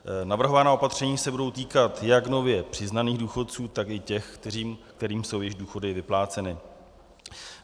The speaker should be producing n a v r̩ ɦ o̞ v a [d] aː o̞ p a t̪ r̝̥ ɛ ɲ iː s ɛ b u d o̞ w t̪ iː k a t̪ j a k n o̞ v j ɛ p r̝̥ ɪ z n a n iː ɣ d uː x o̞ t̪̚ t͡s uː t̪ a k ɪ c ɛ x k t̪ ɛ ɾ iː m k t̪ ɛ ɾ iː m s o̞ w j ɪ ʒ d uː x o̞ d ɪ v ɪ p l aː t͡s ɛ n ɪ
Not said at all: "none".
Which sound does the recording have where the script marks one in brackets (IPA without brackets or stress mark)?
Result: n